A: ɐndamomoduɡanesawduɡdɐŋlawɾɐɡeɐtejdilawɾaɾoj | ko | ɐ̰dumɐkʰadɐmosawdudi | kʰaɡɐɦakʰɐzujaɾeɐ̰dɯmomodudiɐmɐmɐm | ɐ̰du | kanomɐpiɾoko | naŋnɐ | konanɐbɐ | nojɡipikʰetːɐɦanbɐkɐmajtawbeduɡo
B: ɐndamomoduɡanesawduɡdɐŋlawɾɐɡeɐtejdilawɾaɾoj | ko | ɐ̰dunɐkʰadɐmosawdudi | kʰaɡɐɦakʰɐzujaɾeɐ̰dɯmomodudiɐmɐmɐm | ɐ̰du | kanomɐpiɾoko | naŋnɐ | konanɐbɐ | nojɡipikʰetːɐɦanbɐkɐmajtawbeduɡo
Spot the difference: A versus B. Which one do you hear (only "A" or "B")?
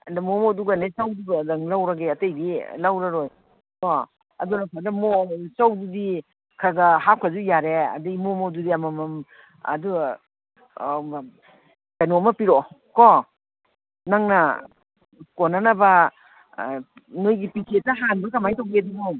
B